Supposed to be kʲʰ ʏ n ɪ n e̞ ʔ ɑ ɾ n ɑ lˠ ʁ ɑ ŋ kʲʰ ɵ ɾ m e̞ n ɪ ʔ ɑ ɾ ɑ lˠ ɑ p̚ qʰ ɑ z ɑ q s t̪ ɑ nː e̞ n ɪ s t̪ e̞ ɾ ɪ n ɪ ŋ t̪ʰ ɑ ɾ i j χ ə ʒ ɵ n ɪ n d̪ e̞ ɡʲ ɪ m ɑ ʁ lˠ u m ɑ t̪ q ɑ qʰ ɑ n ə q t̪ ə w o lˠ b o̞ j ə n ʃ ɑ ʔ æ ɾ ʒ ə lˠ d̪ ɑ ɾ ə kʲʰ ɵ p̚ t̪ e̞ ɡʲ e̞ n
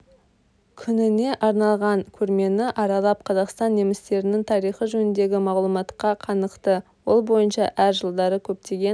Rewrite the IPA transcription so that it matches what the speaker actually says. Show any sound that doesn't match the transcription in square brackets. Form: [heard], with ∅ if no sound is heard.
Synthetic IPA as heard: kʲʰ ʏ n ɪ n e̞ ʔ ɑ ɾ n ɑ lˠ ʁ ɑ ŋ kʲʰ ɵ ɾ m e̞ n ɪ ʔ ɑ ɾ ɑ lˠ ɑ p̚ qʰ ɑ z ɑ q s t̪ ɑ nː e̞ [m] ɪ s t̪ e̞ ɾ ɪ n ɪ ŋ t̪ʰ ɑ ɾ i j χ ə ʒ ɵ n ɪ n d̪ e̞ ɡʲ ɪ m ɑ ʁ lˠ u m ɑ t̪ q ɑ qʰ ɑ n ə q t̪ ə w o lˠ b o̞ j ə n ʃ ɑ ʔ æ ɾ ʒ ə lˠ d̪ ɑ ɾ ə kʲʰ ɵ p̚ t̪ e̞ ɡʲ e̞ n